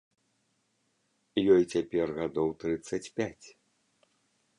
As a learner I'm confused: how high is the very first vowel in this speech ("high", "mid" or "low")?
mid